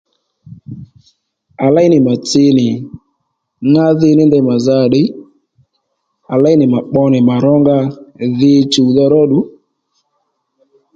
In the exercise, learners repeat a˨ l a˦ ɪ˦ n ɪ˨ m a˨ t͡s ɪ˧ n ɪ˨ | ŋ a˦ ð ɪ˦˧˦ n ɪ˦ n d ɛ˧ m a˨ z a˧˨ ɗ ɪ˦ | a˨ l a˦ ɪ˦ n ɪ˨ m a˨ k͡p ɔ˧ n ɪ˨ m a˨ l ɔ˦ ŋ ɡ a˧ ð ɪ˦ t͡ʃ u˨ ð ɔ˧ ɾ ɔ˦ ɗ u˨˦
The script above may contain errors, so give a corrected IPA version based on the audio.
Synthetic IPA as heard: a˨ l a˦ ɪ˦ n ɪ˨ m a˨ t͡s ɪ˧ n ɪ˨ | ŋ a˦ ð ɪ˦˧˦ n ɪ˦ n d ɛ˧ m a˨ z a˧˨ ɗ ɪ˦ | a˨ l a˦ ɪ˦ n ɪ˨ m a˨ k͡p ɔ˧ n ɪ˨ m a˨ ɾ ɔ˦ ŋ ɡ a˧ ð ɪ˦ t͡ʃ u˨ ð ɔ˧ ɾ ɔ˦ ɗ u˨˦